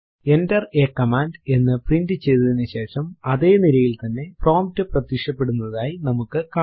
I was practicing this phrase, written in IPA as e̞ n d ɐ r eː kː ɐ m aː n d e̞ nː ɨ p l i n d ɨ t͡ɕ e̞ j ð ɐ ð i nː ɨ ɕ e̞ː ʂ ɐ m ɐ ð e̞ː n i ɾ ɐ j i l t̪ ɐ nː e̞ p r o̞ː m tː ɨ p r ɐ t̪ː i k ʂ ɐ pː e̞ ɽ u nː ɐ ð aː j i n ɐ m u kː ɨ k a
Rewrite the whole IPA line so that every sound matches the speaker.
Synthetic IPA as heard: e̞ n d ɐ r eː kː ɐ m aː n d e̞ nː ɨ p r i n d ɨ t͡ɕ e̞ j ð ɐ ð i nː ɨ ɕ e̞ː ʂ ɐ m ɐ ð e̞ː n i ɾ ɐ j i l t̪ ɐ nː e̞ p r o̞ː m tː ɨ p r ɐ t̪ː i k ʂ ɐ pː e̞ ɽ u nː ɐ ð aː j i n ɐ m u kː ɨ k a